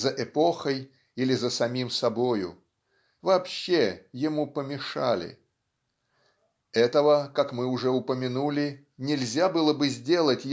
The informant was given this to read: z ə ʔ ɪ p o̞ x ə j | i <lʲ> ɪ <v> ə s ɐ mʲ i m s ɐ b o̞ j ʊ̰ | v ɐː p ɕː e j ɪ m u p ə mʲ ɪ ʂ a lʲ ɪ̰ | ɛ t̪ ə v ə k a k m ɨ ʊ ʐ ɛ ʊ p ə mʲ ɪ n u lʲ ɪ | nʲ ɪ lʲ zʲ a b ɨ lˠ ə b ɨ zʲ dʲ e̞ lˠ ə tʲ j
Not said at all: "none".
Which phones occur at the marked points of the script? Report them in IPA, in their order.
lʲ, z

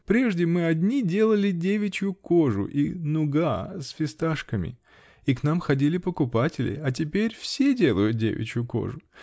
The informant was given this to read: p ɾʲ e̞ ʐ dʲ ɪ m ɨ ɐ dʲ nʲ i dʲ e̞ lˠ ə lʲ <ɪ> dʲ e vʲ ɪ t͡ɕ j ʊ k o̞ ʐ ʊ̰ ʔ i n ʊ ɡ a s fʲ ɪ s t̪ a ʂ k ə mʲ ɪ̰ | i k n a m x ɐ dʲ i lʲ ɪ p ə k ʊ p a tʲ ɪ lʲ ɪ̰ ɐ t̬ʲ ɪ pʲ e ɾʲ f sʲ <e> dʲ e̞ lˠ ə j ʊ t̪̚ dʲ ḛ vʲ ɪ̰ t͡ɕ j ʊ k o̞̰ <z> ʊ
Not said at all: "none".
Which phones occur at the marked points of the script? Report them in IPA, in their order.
ɪ, e, ʐ

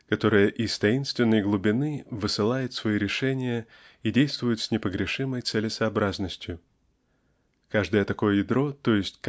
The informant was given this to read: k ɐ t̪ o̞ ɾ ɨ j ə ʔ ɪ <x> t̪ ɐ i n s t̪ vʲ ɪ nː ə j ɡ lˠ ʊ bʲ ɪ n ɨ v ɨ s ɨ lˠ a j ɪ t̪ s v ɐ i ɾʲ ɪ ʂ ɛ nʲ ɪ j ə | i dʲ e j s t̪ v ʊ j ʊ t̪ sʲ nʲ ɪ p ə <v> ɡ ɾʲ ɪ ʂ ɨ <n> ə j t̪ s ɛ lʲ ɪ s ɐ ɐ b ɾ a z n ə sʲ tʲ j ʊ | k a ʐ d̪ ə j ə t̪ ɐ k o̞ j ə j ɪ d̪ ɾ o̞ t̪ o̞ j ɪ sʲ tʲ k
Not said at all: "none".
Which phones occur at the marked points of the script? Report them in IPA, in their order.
s, none, m

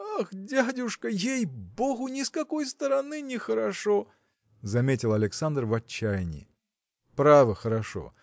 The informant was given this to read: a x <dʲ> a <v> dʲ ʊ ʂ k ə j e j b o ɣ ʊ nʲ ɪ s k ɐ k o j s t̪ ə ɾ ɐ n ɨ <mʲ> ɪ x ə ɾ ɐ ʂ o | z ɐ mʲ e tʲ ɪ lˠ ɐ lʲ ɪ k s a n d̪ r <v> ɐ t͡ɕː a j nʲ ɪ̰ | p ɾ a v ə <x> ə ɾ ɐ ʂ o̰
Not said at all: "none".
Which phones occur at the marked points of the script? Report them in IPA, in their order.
dʲ, none, nʲ, v, x

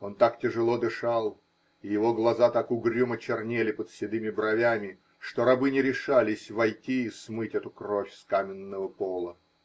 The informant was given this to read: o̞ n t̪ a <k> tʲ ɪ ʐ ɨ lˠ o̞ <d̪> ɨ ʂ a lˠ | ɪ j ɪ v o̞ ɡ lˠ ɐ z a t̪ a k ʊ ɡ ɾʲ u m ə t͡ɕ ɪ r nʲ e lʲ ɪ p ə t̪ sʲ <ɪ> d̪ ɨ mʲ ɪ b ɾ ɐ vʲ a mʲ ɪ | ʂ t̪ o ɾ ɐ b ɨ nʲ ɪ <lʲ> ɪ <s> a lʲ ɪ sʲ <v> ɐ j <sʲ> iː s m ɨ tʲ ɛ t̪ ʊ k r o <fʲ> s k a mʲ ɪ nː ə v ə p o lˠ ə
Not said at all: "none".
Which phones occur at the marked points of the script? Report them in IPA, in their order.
k, d̪, ɪ, ɾʲ, ʂ, v, tʲ, fʲ

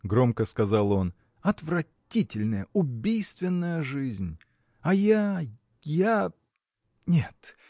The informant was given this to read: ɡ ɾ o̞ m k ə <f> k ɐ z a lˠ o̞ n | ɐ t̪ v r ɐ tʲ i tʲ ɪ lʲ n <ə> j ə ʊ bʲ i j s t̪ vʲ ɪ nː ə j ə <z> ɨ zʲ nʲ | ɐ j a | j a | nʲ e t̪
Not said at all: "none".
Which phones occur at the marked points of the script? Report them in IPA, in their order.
s, ə, ʐ

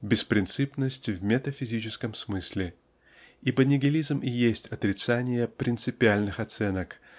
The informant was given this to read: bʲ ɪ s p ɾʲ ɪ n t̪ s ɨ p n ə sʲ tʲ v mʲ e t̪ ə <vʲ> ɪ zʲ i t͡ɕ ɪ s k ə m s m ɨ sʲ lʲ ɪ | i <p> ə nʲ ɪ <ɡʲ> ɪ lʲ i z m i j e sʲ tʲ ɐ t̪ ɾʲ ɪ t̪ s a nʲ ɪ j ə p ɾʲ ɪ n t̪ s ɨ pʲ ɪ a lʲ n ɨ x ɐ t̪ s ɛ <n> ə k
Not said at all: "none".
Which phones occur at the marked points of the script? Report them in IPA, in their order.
fʲ, b, ɡʲ, n

